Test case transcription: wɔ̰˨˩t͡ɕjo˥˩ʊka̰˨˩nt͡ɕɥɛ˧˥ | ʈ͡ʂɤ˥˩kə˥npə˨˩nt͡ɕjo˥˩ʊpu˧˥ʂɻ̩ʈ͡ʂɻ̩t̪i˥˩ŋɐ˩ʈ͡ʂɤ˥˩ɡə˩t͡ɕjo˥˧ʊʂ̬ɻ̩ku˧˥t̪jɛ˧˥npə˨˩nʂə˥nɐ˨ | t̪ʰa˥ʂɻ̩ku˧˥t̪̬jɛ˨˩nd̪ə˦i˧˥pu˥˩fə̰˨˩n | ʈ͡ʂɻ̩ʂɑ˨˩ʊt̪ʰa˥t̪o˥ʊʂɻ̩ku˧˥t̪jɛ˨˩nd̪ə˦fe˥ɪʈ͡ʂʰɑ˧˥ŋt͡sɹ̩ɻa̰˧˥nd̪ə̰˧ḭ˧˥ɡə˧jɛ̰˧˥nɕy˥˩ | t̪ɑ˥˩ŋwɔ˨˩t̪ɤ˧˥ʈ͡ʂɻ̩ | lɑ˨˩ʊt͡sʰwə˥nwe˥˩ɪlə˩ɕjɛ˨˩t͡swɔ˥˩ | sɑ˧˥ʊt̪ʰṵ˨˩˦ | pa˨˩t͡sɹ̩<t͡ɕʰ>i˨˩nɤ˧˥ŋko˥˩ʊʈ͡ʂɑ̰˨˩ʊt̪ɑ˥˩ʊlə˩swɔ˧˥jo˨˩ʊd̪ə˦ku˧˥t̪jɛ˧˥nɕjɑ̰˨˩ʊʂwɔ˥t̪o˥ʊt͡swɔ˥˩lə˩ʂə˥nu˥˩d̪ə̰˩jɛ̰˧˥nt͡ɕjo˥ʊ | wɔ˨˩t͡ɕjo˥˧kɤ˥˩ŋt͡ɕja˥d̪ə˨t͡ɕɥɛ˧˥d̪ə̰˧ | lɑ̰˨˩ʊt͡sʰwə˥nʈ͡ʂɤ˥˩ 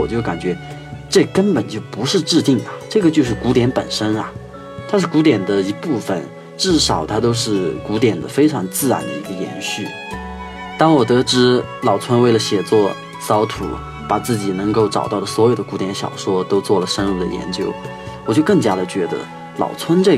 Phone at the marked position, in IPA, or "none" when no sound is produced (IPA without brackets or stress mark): t͡ɕ